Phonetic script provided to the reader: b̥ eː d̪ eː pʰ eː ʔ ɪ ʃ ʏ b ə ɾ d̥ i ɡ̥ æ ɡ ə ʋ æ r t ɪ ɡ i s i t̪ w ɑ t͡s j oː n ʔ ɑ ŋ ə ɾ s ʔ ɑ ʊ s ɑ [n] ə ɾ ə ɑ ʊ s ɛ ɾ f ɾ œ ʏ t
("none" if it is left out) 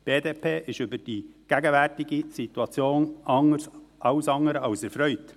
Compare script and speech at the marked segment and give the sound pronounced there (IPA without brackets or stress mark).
ŋ